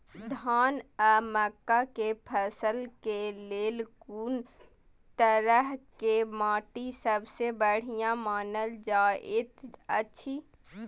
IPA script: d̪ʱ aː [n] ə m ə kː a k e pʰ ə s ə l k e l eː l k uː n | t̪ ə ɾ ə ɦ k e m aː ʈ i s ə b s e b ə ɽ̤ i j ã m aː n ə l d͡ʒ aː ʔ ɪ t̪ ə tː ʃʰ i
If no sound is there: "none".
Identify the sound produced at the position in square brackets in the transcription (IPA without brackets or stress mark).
n